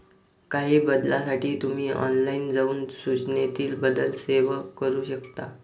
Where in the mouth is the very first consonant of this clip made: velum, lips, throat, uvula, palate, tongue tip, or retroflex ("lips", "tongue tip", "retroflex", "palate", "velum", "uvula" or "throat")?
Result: velum